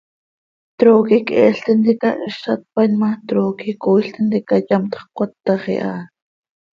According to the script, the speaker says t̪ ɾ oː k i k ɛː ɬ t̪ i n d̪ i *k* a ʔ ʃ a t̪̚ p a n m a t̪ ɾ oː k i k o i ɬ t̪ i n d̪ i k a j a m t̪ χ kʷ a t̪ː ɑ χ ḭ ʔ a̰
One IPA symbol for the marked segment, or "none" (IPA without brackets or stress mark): k